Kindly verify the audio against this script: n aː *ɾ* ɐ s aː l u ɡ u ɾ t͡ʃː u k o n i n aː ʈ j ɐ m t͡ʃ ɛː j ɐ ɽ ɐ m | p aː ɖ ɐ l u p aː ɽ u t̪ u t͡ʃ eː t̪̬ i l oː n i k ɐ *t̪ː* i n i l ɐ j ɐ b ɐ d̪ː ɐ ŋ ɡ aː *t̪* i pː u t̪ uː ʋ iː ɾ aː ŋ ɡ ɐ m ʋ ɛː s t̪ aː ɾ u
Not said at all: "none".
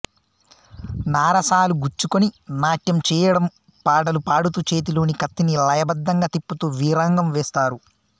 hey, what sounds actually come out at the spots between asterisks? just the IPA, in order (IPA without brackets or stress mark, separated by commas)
ɾ, t̪ː, t̪